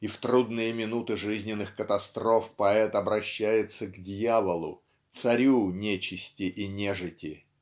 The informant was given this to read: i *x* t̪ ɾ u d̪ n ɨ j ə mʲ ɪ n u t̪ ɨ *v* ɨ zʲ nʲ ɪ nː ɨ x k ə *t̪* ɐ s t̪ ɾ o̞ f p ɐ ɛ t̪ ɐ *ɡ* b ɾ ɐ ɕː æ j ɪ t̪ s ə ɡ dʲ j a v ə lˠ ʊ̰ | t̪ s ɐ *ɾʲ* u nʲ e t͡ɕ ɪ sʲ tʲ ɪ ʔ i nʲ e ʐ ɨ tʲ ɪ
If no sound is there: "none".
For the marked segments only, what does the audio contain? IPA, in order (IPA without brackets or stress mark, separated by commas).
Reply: f, ʐ, t̪, none, ɾʲ